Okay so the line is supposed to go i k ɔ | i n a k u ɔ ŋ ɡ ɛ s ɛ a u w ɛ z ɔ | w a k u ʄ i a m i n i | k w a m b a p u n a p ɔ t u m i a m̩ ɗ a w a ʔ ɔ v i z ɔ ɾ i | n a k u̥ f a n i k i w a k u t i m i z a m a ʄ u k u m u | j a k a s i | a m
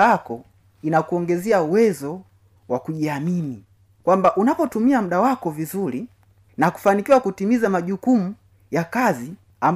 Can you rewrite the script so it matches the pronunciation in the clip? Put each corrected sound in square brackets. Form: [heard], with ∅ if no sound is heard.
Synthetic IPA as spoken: [a] k ɔ | i n a k u ɔ ŋ ɡ ɛ [z] ɛ a u w ɛ z ɔ | w a k u ʄ i a m i n i | k w a m b a [ʔ] u n a p ɔ t u m i a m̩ ɗ a w a [k] ɔ v i z [u] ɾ i | n a k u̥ f a n i k i w a k u t i m i z a m a ʄ u k u m u | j a k a [z] i | a m